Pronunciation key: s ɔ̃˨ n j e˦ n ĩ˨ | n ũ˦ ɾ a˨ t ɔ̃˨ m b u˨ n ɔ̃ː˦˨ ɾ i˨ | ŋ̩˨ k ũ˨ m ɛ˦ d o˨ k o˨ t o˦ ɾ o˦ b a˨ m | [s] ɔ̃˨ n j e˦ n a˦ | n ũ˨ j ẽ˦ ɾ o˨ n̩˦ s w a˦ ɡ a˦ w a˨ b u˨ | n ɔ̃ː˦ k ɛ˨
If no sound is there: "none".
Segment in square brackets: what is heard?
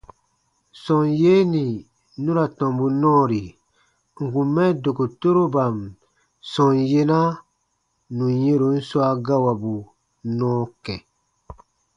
s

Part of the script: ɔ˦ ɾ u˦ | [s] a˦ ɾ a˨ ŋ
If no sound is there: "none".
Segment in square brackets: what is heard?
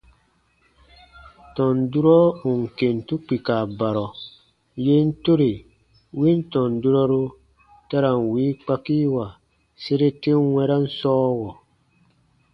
t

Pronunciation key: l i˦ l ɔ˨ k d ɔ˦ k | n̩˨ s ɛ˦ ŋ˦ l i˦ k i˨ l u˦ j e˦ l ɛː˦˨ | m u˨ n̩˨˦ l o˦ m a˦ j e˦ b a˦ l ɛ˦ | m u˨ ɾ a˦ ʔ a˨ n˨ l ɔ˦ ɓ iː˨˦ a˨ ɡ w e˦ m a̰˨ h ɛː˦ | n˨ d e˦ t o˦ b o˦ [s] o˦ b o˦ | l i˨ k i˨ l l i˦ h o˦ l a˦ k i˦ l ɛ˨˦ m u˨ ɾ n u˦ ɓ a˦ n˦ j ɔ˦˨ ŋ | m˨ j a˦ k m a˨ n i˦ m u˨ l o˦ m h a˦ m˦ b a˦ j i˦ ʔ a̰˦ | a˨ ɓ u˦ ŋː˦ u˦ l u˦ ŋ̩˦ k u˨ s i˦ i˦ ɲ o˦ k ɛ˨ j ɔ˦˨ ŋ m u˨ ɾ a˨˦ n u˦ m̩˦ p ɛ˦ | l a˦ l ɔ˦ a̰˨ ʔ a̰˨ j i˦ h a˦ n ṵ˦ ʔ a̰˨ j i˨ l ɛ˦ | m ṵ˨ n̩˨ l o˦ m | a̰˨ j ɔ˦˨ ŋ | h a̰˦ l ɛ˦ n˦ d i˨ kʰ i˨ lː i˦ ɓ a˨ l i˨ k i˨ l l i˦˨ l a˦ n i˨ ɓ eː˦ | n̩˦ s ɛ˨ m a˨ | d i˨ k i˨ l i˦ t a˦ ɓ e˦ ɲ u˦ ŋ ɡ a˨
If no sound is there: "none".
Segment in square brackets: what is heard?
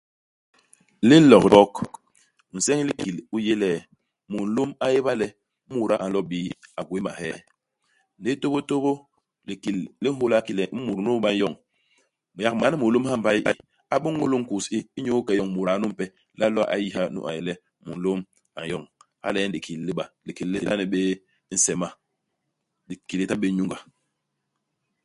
t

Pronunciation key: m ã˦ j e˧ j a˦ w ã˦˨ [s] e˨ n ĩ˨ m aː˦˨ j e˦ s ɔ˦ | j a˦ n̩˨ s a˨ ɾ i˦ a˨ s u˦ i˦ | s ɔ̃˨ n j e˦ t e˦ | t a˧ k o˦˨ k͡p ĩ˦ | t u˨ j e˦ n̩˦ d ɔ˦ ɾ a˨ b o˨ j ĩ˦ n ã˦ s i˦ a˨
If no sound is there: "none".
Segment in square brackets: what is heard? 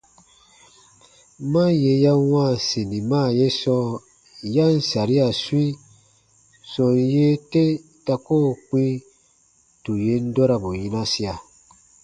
s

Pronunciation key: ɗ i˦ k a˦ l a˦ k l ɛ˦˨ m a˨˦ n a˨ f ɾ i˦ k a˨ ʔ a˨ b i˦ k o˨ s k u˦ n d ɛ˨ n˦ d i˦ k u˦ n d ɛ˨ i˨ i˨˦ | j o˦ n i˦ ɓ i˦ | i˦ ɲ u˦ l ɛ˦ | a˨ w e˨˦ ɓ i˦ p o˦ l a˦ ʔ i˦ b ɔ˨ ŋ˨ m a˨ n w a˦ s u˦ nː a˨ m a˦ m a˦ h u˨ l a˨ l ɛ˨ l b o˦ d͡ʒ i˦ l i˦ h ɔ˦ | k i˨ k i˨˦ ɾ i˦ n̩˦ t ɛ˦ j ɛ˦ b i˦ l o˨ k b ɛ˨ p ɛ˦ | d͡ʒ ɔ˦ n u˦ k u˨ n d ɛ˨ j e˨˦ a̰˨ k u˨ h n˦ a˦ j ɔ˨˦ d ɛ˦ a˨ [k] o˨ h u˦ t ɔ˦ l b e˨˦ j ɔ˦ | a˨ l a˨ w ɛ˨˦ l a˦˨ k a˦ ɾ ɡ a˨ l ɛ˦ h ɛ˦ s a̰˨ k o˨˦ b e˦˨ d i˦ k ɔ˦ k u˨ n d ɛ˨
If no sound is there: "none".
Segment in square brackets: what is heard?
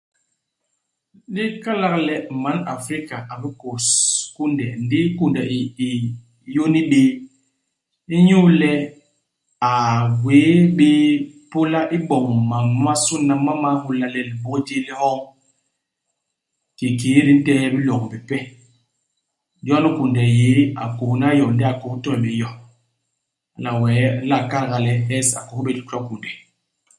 k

